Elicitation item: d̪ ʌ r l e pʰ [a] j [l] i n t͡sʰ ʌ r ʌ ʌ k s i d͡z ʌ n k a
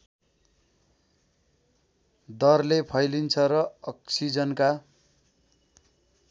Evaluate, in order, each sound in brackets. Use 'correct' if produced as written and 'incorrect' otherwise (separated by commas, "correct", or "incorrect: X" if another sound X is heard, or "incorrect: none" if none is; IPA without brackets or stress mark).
incorrect: ʌ, correct